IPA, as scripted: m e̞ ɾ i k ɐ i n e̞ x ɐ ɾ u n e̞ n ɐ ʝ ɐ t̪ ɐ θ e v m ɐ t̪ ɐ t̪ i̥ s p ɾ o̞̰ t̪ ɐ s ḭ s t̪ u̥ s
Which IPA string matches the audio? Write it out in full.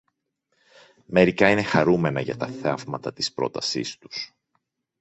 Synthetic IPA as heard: m e̞ ɾ i k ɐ i n e̞ x ɐ ɾ u m e̞ n ɐ ʝ ɐ t̪ ɐ θ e v m ɐ t̪ ɐ t̪ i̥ s p ɾ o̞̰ t̪ ɐ s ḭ s t̪ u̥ s